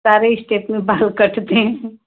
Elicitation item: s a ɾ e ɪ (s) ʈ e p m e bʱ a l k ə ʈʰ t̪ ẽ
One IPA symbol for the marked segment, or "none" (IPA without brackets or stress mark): s